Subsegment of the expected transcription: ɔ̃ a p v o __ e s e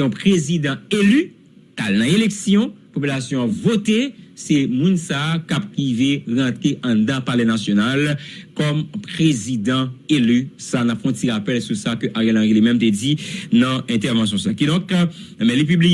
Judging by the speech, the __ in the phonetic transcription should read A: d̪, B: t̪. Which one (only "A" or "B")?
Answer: B